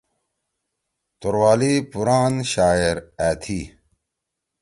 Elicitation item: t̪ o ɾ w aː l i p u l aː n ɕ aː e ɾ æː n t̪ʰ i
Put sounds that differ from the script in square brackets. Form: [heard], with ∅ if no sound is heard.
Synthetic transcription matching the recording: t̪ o ɾ w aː l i p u [ɾ] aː n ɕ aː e ɾ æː [∅] t̪ʰ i